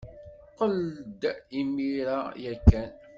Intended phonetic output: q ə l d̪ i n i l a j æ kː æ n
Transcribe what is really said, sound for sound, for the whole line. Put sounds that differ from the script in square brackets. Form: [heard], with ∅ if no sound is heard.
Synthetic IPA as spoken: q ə l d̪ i [m] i [ɾ] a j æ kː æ n